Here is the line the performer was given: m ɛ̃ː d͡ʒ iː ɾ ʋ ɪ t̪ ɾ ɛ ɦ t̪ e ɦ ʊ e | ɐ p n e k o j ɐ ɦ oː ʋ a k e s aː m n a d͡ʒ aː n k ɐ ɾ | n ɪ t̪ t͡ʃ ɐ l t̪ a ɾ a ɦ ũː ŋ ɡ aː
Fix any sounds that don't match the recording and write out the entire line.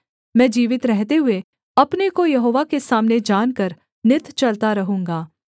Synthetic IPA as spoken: m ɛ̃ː d͡ʒ iː ʋ ɪ t̪ ɾ ɛ ɦ t̪ e ɦ ʊ e | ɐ p n e k o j ɐ ɦ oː ʋ a k e s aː m n e d͡ʒ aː n k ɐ ɾ | n ɪ t̪ t͡ʃ ɐ l t̪ a ɾ ɐ ɦ ũː ŋ ɡ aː